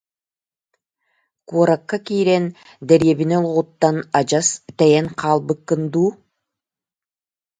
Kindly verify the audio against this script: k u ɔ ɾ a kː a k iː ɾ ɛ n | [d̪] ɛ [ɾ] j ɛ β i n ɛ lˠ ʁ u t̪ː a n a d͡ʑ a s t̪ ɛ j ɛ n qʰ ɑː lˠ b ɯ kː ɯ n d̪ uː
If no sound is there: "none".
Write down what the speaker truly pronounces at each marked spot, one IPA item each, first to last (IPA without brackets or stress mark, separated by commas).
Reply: d̪, ɾ